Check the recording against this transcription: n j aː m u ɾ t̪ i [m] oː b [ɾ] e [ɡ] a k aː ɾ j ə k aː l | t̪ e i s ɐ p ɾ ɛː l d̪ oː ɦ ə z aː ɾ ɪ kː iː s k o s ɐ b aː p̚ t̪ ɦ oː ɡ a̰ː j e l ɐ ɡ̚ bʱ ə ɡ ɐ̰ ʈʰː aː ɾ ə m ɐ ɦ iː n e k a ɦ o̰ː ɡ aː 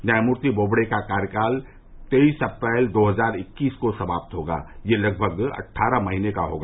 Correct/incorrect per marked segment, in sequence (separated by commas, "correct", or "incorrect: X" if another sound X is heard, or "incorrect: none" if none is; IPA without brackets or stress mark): incorrect: b, incorrect: ɽ, incorrect: k